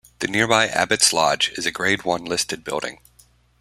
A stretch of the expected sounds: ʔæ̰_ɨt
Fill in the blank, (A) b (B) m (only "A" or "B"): A